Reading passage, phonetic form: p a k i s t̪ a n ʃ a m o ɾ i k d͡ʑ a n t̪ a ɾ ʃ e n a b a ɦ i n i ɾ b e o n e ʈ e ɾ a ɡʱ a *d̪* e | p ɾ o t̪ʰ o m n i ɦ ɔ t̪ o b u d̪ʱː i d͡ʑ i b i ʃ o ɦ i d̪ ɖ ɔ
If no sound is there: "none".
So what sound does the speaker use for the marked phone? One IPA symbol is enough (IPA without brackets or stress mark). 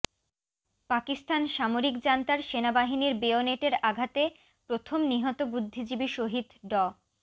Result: t̪